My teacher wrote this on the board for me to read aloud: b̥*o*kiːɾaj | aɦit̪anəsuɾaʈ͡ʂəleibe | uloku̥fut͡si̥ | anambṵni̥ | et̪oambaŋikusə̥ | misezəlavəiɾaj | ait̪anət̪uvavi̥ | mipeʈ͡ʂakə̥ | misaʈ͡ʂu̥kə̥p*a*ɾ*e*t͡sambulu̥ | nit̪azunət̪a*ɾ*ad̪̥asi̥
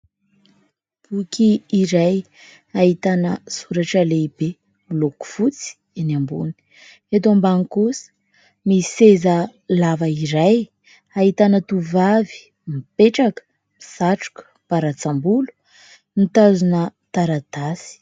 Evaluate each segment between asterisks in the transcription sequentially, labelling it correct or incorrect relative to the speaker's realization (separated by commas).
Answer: incorrect, correct, incorrect, correct